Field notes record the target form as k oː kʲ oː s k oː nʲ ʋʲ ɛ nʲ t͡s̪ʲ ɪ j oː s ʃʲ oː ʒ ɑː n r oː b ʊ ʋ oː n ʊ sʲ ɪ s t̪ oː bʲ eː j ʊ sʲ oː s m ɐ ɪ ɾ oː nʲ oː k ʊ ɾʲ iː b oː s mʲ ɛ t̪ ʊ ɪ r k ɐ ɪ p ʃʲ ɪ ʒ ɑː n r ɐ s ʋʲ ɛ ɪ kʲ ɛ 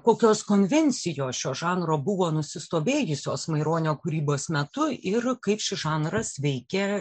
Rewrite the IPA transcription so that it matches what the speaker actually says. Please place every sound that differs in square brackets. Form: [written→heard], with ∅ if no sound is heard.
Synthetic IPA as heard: k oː kʲ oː s k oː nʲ ʋʲ ɛ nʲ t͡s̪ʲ ɪ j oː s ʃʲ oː ʒ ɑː n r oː b ʊ ʋ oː n ʊ sʲ ɪ s t̪ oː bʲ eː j ʊ sʲ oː s m ɐ ɪ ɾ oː nʲ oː k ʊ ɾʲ iː b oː s mʲ ɛ t̪ ʊ ɪ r k ɐ ɪ p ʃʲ ɪ ʒ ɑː n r ɐ s ʋʲ ɛ ɪ kʲ ɛ